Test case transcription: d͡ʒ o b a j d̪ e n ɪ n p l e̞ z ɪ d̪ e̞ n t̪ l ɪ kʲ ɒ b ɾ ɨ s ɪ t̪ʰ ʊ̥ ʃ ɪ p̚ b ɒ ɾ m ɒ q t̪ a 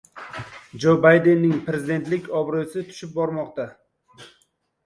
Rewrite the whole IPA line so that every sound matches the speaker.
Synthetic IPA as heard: d͡ʒ o b a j d̪ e nː ɪ ŋ p ɾ e̞ z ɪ d̪ e̞ n t̪ l ɪ kʲ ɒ b ɾ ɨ s ɪ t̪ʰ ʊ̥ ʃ ɪ p̚ b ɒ ɾ m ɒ q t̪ a